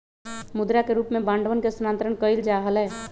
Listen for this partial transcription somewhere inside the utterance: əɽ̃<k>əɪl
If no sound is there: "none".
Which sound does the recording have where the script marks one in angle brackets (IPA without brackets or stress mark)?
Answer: k